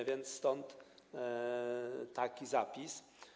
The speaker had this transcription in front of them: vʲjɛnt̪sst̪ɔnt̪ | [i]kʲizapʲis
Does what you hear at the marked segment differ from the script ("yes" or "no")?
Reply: yes